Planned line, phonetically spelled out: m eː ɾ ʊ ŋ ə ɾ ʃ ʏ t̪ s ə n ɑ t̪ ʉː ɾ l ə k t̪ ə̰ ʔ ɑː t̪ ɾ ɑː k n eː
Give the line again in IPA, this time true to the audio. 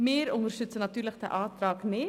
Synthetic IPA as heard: m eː ɾ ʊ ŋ ə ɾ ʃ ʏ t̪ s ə n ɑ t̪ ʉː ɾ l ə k t̪ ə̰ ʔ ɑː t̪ ɾ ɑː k n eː